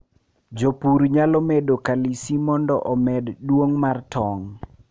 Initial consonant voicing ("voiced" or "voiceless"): voiced